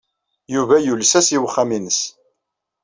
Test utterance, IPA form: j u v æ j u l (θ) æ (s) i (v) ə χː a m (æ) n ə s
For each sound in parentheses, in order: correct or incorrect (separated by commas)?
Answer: incorrect, correct, incorrect, incorrect